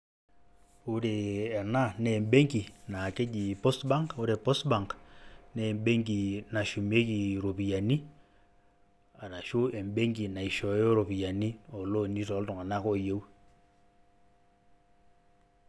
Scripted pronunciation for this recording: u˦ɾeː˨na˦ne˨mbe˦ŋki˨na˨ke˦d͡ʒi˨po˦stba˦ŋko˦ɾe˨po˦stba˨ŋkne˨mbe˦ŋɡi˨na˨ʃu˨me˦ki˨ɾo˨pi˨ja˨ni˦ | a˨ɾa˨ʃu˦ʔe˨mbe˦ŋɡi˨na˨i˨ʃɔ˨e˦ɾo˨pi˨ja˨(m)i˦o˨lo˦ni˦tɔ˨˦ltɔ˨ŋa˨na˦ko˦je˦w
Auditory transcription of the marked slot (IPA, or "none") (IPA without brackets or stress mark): n